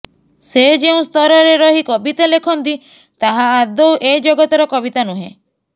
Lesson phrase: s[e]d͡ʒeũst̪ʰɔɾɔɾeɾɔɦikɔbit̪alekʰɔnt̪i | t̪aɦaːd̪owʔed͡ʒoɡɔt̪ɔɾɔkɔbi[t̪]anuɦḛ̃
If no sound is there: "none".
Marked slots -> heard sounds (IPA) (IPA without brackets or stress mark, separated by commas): e, t̪